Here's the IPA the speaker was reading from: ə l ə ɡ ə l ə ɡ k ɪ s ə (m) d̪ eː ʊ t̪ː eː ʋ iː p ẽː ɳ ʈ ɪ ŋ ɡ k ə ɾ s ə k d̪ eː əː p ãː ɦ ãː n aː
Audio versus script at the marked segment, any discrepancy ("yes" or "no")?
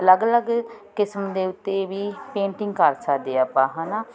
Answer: no